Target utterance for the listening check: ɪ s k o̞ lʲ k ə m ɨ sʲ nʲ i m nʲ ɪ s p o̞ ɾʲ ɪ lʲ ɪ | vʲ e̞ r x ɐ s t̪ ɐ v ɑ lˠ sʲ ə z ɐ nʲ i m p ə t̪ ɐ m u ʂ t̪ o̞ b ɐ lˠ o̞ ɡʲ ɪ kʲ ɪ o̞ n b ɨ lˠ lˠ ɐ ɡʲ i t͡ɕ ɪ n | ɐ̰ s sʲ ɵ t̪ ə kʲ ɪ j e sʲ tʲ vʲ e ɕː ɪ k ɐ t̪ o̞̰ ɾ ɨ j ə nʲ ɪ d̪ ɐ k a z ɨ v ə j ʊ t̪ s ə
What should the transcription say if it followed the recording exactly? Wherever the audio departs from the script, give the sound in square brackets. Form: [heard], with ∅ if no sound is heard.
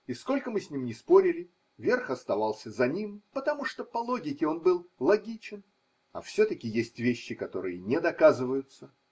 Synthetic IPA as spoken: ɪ s k o̞ lʲ k ə m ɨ sʲ nʲ i m nʲ ɪ s p o̞ ɾʲ ɪ lʲ ɪ | vʲ e̞ r x ɐ s t̪ ɐ v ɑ lˠ sʲ ə z ɐ nʲ i m p ə t̪ ɐ m u ʂ t̪ o̞ [p] ɐ lˠ o̞ ɡʲ ɪ kʲ ɪ o̞ n b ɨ lˠ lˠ ɐ ɡʲ i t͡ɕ ɪ n | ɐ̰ [f] sʲ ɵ t̪ ə kʲ ɪ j e sʲ tʲ vʲ e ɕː ɪ k ɐ t̪ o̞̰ ɾ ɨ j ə nʲ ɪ d̪ ɐ k a z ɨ v ə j ʊ t̪ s ə